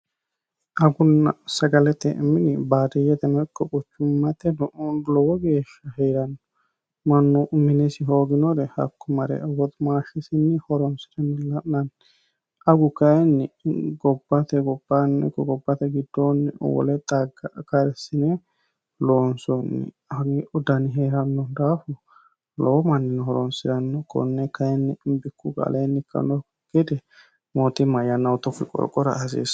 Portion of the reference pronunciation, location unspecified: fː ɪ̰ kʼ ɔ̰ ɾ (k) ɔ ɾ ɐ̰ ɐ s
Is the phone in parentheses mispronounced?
yes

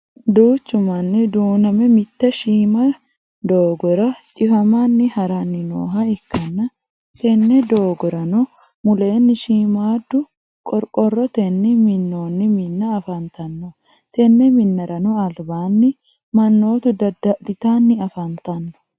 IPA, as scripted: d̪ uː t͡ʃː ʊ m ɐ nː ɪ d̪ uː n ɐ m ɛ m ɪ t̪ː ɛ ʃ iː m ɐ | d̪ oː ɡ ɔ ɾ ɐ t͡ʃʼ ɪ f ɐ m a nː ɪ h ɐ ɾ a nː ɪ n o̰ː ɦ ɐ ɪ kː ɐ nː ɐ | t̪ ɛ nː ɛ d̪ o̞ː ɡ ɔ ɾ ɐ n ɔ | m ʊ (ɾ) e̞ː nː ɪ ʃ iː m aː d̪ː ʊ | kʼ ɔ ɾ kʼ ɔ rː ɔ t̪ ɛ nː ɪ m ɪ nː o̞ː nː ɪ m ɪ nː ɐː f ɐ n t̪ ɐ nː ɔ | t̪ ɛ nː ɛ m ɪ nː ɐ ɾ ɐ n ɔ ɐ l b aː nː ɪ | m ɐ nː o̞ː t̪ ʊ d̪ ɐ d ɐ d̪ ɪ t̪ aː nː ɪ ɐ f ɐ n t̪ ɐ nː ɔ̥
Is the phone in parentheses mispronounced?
yes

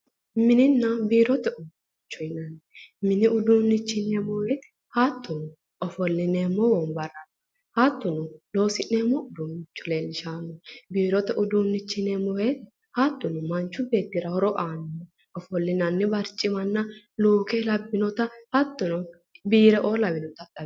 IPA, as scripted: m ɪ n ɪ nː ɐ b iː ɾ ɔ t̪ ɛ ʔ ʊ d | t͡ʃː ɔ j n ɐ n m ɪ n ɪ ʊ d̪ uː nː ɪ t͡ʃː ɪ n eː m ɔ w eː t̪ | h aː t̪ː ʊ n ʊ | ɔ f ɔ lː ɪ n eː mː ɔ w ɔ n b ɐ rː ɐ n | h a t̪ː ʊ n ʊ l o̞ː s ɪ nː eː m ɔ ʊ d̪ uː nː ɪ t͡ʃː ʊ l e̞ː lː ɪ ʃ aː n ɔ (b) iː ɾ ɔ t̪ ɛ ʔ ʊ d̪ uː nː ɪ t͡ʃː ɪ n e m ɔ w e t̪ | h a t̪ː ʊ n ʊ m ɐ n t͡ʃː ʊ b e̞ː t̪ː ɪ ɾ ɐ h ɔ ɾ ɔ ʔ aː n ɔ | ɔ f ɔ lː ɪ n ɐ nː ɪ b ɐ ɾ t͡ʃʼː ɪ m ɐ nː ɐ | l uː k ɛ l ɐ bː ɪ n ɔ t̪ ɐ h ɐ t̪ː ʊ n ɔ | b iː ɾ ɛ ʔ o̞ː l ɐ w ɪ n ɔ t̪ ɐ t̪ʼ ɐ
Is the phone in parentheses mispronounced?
no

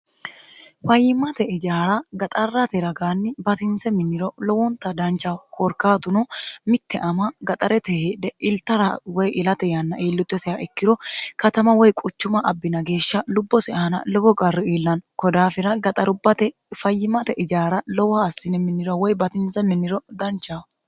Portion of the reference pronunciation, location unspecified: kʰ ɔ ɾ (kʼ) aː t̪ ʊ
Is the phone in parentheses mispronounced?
yes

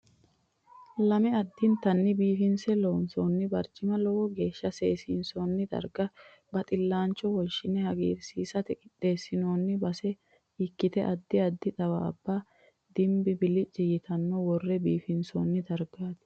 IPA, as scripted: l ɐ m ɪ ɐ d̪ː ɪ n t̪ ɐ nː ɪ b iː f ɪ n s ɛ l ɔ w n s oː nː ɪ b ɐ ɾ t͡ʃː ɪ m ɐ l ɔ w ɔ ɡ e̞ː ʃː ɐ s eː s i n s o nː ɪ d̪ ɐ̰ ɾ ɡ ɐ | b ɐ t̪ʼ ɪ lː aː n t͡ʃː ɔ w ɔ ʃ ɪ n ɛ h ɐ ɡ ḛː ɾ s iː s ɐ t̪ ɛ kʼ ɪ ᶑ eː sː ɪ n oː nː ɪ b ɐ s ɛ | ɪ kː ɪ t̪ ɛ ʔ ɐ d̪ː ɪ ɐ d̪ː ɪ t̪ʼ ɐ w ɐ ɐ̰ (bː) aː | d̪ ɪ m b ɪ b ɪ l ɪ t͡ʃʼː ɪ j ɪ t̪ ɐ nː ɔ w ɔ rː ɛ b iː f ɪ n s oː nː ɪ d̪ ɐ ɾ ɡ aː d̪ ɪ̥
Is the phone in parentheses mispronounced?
no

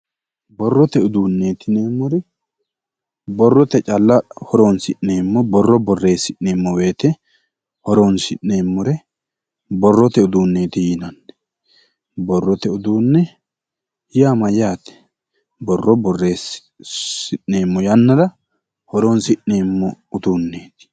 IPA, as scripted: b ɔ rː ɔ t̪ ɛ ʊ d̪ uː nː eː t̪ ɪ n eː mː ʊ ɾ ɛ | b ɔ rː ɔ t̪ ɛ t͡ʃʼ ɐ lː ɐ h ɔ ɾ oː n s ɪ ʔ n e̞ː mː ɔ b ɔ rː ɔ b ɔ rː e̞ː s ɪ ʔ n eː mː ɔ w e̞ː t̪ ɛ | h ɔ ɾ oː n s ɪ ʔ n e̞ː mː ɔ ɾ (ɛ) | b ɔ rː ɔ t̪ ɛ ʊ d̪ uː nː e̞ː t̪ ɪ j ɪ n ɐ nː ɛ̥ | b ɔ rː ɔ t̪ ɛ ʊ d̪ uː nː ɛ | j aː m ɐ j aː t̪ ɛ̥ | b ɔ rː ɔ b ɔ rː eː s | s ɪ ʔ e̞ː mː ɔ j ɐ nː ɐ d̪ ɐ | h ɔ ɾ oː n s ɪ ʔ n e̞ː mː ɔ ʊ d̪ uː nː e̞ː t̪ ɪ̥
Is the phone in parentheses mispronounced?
no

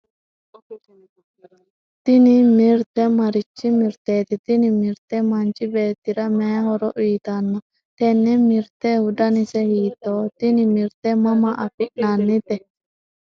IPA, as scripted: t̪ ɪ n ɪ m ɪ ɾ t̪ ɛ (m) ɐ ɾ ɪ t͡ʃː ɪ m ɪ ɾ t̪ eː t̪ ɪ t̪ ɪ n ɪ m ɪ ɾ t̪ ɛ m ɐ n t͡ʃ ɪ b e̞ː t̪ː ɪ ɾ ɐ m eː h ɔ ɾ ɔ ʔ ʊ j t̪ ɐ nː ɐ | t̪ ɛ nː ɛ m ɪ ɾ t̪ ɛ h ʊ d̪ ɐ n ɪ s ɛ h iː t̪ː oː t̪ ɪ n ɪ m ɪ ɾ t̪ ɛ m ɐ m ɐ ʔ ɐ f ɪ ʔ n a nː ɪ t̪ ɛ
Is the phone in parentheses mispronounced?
no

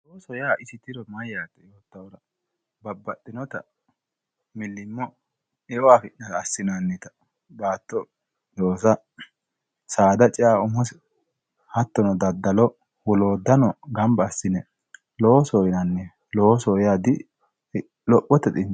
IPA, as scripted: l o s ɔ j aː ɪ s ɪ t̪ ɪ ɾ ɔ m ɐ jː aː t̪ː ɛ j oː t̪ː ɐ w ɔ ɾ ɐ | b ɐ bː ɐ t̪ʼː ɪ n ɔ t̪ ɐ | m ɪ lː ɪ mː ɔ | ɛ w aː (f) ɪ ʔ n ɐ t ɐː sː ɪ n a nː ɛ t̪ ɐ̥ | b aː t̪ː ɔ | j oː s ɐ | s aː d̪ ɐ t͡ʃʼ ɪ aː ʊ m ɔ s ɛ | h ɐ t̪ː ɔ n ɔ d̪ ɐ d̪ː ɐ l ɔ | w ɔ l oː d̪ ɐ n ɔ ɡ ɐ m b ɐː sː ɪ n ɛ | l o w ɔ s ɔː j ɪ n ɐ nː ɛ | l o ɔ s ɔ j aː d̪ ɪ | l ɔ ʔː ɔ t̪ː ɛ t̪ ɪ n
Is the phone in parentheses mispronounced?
no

